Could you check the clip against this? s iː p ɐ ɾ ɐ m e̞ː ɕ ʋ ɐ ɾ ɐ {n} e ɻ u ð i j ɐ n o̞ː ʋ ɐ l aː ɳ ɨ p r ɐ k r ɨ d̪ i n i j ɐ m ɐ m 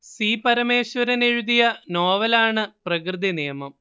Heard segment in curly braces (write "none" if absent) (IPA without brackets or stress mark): n